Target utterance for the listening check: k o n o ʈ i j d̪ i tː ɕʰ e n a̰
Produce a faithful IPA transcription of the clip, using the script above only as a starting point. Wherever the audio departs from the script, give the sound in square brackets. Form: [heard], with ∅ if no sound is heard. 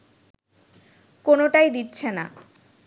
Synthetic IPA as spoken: k o n o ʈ [a] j d̪ i tː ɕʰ e n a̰